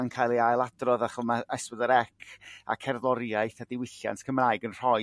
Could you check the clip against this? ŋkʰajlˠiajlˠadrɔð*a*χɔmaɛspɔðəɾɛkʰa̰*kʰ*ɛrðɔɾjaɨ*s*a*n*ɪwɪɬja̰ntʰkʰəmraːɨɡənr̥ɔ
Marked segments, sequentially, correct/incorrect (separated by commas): correct, correct, incorrect, incorrect